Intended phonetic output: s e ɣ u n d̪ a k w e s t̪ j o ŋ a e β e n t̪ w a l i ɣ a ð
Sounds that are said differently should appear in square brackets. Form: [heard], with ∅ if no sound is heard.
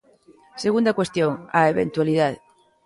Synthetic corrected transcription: s e ɣ u n d̪ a k w e s t̪ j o ŋ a e β e n t̪ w a l i [ð] a ð